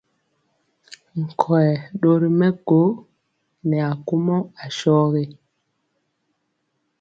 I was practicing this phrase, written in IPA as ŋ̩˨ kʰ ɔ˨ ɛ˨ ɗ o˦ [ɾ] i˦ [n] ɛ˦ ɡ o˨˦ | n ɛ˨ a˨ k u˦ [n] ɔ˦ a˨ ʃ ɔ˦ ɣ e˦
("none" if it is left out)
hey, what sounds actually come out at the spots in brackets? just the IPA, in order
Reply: ɾ, m, m

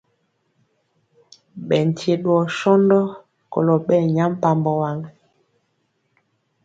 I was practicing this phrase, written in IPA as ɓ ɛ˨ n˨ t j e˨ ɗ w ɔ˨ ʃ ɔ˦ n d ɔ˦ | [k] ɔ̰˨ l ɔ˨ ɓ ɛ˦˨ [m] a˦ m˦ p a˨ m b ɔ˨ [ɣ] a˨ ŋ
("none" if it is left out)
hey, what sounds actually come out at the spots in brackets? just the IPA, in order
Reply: k, ɲ, w

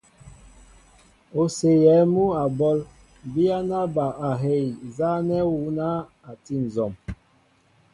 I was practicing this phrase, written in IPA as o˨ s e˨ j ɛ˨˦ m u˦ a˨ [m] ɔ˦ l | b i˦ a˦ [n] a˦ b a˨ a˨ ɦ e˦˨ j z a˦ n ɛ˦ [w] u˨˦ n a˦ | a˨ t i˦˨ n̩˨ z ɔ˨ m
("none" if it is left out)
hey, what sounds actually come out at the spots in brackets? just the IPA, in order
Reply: b, n, w

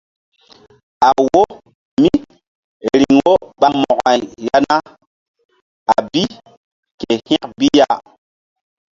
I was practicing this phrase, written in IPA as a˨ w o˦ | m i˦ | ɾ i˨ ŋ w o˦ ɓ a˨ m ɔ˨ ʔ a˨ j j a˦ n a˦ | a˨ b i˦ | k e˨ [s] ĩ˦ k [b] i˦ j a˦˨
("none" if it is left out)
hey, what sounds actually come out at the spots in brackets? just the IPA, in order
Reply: h, b

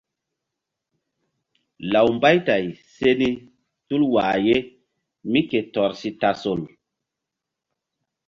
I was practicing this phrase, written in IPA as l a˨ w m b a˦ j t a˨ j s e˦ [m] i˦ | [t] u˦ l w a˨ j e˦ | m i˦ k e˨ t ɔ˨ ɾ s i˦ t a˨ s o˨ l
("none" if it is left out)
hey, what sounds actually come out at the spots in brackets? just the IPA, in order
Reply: n, t

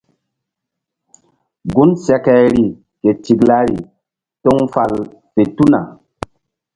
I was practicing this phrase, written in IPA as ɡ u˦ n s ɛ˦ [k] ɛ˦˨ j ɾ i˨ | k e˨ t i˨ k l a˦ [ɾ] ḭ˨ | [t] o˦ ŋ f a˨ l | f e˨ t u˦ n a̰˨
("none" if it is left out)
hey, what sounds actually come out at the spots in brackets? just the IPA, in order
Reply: k, ɾ, t

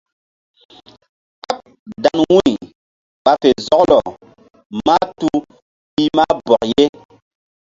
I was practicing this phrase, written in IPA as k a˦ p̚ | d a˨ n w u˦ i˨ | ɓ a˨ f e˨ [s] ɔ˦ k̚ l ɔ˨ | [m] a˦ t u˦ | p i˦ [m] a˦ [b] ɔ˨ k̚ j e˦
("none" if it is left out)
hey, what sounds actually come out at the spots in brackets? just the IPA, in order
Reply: z, m, m, b

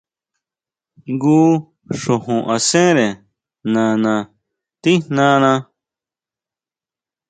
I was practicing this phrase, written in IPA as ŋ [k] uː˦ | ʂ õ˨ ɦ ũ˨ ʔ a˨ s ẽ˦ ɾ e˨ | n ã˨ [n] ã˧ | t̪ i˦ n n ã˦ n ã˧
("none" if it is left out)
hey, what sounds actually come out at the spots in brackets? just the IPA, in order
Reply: ɡ, n

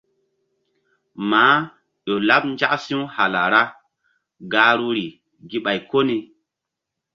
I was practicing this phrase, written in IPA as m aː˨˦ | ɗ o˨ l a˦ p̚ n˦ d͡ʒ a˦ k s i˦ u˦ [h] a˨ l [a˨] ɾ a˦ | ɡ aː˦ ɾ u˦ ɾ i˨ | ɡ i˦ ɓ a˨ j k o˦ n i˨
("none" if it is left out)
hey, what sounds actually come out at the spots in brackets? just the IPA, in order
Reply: h, a˨

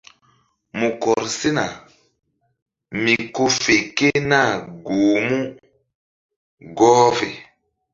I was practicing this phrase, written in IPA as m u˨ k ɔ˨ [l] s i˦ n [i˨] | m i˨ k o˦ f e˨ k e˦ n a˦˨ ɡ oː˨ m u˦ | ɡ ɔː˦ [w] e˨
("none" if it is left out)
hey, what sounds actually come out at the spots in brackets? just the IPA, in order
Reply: ɾ, a˨, v

